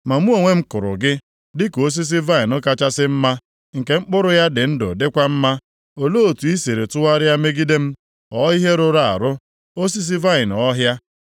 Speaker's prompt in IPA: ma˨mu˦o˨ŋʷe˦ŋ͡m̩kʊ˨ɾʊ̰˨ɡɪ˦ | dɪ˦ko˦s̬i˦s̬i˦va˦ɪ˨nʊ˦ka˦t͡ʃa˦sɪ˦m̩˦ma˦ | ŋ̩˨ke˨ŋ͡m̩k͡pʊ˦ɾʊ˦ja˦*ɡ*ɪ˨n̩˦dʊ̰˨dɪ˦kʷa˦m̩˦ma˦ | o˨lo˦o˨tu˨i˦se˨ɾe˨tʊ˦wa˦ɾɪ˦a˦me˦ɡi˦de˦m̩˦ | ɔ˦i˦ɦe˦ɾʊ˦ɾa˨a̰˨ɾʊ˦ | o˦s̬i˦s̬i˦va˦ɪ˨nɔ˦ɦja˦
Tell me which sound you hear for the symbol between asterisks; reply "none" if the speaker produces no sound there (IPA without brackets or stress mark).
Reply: d